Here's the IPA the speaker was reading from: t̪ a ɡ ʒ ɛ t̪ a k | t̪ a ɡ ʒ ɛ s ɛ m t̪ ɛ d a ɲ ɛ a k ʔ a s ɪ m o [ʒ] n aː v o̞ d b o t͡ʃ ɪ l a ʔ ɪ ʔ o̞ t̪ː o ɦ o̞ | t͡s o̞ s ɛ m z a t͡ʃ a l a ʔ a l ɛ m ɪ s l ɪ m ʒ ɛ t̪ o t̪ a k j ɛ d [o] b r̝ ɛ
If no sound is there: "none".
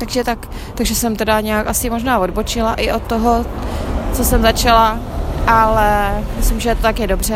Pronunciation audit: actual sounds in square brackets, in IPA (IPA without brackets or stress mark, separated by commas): ʒ, o